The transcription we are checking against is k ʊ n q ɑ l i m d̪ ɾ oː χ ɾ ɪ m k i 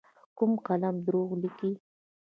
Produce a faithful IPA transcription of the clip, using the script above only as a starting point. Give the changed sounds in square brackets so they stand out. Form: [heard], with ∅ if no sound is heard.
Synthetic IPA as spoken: k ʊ [m] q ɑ l [a] m d̪ ɾ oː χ [l] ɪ [∅] k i